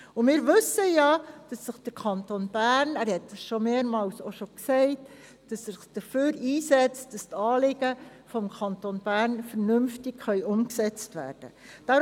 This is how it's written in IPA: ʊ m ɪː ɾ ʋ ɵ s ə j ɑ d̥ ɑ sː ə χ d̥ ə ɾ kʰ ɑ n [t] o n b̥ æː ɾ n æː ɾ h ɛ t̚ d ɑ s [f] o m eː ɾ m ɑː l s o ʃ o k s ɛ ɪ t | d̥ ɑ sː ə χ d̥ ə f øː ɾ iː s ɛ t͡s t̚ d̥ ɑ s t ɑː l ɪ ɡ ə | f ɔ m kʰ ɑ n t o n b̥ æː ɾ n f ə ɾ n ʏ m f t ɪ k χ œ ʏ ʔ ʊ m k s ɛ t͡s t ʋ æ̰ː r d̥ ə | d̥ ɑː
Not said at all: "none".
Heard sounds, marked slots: t, ʃ

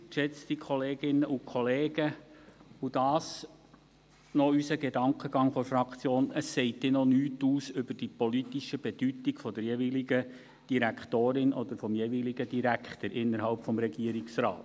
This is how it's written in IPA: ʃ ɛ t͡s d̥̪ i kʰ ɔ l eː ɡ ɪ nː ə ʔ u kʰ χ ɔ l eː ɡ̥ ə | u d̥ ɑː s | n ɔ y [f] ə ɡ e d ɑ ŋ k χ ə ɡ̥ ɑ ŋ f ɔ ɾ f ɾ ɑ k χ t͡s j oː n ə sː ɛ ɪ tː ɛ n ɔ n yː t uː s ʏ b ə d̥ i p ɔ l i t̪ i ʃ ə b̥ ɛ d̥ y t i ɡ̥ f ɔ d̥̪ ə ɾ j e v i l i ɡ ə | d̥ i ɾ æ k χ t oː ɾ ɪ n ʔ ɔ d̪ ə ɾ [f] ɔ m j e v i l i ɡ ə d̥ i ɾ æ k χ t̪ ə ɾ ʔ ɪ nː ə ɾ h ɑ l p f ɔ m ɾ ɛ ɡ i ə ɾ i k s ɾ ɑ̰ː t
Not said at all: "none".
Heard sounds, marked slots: s, f

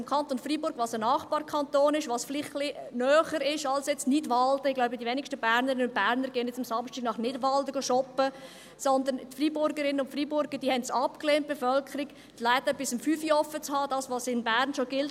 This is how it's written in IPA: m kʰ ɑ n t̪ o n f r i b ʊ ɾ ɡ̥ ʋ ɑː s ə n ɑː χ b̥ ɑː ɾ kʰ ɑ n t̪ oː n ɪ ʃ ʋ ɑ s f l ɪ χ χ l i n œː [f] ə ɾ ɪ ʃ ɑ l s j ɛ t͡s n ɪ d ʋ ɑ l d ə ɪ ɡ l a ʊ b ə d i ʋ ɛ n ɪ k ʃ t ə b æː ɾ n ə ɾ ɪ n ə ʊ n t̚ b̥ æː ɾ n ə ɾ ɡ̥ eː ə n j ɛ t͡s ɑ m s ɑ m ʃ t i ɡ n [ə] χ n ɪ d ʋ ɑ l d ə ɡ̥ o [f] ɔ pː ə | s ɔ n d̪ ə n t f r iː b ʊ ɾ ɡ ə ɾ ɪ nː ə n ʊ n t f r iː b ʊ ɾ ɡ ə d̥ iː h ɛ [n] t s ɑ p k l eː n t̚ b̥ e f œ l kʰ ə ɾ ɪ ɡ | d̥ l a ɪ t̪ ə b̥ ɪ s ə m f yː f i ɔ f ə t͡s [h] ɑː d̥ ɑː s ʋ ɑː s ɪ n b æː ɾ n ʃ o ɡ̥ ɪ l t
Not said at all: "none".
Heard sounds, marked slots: χ, ɑ, ʃ, n, h

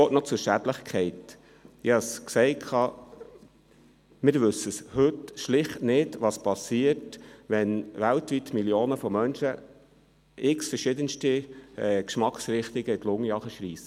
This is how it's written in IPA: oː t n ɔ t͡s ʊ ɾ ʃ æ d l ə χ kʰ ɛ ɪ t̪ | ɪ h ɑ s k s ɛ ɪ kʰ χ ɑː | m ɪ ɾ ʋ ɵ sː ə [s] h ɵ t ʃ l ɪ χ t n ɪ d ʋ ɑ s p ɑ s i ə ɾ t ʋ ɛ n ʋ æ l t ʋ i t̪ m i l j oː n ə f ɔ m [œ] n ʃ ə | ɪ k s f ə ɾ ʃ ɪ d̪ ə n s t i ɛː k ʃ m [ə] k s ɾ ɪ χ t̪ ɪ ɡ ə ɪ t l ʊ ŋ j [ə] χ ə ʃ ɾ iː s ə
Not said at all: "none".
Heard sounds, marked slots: s, œ, ɑ, ɑ

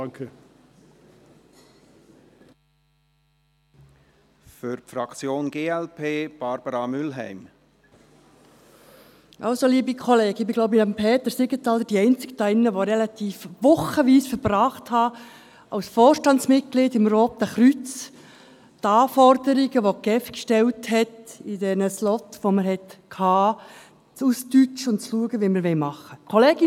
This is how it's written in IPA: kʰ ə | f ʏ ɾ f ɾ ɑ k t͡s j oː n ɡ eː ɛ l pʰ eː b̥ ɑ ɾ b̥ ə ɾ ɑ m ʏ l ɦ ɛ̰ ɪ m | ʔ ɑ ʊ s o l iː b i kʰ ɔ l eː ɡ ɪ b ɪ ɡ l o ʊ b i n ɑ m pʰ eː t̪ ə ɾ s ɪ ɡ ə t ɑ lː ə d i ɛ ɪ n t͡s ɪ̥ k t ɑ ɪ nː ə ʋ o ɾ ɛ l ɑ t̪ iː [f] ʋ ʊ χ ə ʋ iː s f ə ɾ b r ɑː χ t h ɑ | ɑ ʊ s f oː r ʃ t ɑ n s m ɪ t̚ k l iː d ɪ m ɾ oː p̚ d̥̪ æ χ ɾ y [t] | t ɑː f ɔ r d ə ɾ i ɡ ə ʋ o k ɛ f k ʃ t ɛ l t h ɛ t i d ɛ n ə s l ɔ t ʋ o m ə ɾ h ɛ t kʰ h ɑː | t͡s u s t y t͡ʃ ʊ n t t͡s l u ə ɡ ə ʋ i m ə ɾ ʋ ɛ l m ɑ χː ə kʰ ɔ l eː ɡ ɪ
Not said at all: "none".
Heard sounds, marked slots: f, t͡s

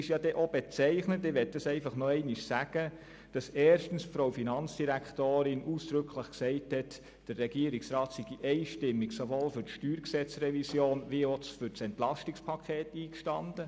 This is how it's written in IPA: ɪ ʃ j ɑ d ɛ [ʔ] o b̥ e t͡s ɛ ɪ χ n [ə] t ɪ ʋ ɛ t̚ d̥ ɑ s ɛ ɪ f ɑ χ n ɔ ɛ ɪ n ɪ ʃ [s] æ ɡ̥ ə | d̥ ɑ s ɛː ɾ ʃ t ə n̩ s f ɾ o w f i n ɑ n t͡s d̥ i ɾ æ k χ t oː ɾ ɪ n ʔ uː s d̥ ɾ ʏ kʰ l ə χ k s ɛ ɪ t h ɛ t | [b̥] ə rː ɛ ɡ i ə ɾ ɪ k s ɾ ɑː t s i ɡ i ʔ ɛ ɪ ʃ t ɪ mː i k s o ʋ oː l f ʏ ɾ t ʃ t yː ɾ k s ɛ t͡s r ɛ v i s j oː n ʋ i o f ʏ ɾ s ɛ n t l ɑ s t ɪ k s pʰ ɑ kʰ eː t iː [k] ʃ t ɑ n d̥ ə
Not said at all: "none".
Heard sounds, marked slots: ʔ, ə, s, d̥, k

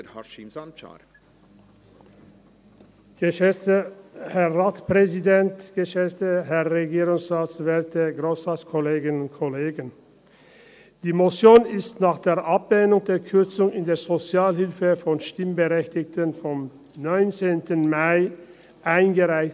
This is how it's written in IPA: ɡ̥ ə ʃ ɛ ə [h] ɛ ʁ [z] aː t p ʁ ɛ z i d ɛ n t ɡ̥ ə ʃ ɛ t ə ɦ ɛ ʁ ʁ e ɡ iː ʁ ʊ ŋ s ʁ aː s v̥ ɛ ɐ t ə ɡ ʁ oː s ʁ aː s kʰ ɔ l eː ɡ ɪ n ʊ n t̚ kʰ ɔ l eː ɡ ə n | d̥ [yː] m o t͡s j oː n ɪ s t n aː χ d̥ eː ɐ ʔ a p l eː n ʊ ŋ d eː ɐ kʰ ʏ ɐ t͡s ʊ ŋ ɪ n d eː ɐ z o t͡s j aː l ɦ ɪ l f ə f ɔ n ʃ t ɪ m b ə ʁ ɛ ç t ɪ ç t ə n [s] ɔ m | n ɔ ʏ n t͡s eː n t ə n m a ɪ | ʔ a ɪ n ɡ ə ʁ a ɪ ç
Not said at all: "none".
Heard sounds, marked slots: h, ʁ, iː, f

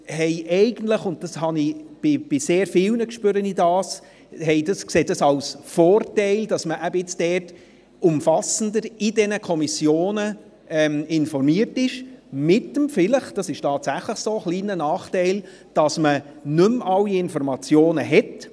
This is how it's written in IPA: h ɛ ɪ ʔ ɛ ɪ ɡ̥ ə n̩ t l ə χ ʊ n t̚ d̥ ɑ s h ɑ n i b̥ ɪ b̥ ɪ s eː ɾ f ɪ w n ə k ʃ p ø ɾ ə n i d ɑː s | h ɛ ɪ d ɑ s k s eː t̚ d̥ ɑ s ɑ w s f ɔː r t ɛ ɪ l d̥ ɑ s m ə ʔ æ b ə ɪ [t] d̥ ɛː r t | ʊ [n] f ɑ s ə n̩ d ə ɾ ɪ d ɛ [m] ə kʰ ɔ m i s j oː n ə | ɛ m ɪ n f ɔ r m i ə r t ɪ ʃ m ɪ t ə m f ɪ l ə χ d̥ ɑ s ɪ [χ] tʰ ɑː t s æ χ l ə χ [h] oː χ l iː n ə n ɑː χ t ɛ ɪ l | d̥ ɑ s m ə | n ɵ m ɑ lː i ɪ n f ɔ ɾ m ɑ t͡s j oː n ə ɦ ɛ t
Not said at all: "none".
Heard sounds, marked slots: t͡s, m, n, ʃ, s

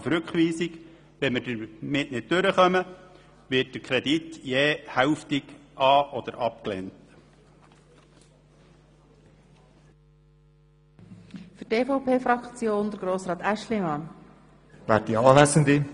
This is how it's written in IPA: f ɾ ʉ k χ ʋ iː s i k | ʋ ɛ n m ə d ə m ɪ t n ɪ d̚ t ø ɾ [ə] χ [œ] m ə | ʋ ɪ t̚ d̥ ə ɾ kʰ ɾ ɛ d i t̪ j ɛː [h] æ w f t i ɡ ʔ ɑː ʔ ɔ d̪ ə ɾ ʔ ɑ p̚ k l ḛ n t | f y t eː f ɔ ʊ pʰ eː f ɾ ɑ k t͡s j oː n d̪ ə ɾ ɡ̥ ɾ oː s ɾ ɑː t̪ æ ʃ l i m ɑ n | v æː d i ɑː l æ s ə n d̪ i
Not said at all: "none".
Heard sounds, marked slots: ə, œ, h

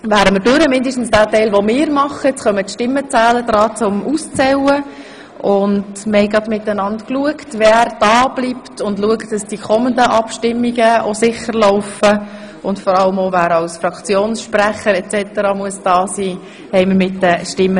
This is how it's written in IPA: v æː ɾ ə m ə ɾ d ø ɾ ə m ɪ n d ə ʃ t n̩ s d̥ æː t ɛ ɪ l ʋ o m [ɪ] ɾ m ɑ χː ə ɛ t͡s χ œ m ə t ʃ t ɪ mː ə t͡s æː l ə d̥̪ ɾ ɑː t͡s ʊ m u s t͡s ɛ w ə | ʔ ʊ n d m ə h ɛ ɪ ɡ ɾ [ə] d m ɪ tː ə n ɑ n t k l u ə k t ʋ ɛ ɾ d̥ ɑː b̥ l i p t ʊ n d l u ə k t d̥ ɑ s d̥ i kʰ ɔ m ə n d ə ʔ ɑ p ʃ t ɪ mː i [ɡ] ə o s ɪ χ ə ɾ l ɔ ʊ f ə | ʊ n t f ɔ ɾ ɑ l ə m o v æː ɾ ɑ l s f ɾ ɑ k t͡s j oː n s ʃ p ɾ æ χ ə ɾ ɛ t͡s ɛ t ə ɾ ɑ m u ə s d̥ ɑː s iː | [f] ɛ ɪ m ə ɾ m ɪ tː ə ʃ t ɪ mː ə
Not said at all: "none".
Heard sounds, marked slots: ɪː, ɑ, ɡ, h

